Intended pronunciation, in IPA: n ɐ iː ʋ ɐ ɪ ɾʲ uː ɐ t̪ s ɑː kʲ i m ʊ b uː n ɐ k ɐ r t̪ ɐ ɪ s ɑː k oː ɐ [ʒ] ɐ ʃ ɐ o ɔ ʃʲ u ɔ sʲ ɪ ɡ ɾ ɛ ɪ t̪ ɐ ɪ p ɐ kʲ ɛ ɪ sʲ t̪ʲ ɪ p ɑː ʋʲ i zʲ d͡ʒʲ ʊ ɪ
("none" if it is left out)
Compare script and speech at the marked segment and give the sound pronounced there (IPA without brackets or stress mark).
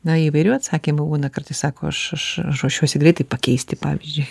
ʃ